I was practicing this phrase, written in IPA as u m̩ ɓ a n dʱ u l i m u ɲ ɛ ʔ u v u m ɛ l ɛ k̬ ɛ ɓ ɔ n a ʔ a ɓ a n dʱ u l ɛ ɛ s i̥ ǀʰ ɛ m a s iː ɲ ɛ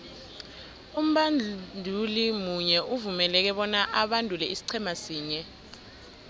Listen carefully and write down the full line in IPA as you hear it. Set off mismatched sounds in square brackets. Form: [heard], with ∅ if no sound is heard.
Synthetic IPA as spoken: u m̩ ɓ a n dʱ u l i m u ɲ ɛ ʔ u v u m ɛ l ɛ k̬ ɛ ɓ ɔ n a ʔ a ɓ a n dʱ u l ɛ [i] s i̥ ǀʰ ɛ m a s iː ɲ ɛ